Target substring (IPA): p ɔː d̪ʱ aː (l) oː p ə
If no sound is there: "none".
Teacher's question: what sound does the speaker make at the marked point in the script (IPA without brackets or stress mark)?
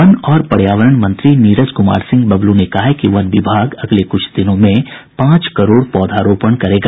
ɾ